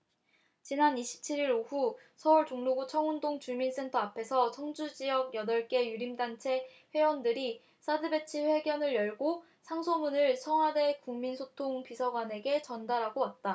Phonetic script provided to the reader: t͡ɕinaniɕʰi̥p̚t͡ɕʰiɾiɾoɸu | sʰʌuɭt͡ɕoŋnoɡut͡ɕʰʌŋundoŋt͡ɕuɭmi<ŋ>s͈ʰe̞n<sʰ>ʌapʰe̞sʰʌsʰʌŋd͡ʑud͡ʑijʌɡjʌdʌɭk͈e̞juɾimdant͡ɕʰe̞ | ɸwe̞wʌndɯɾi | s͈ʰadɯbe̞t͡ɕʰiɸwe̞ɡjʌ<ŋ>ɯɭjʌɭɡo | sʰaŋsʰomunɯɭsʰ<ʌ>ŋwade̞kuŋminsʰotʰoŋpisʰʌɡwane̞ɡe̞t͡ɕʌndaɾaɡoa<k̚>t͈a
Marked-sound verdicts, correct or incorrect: incorrect, incorrect, incorrect, correct, incorrect

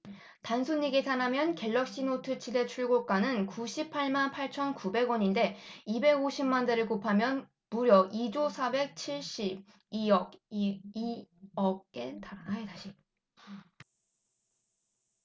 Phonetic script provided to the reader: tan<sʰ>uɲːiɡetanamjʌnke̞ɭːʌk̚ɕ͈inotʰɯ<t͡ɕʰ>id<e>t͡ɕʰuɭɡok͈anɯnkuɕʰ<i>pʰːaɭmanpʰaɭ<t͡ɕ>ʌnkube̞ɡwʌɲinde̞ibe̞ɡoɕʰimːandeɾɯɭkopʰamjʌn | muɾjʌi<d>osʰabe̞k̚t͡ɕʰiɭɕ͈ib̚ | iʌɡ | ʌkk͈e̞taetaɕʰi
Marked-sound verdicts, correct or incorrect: correct, correct, correct, correct, incorrect, incorrect

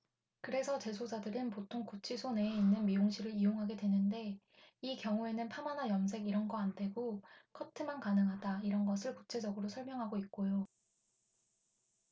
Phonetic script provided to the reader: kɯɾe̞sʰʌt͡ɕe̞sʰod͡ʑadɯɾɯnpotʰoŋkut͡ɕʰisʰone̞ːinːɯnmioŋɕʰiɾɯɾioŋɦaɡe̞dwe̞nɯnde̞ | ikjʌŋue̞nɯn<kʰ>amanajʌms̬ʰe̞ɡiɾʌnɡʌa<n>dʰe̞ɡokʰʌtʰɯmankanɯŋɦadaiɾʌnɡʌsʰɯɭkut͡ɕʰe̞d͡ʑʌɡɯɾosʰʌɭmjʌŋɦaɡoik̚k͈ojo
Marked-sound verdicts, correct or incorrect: incorrect, correct

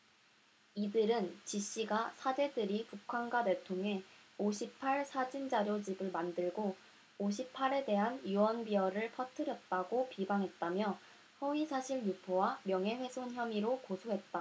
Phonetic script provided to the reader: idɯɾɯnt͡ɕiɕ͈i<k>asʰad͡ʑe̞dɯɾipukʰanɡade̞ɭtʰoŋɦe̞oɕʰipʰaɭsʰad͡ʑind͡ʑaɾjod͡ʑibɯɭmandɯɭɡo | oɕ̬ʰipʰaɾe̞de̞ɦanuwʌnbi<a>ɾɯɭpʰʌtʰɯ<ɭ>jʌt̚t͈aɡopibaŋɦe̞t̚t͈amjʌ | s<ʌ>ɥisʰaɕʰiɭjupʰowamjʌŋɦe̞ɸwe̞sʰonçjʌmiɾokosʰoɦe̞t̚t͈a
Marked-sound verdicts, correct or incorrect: incorrect, incorrect, incorrect, correct

